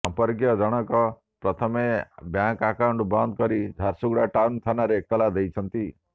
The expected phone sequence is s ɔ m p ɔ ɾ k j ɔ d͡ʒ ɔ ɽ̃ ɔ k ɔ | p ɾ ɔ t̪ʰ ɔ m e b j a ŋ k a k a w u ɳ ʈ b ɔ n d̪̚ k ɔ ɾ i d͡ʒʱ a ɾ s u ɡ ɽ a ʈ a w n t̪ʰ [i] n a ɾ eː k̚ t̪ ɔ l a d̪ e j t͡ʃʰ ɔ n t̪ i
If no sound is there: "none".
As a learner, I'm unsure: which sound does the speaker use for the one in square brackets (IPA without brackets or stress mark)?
a